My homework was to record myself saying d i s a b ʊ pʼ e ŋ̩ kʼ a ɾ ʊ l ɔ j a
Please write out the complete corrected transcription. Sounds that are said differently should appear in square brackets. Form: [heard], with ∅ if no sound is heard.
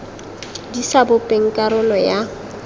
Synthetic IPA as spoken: d i s a b ʊ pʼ e ŋ̩ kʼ a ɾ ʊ l ɔ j a